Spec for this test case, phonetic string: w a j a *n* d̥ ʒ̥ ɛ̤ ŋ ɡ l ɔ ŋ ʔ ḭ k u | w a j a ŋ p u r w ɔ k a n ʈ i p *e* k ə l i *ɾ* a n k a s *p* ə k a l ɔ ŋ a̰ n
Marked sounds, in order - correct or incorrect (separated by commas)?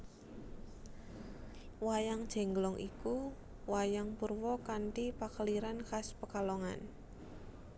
incorrect, incorrect, correct, correct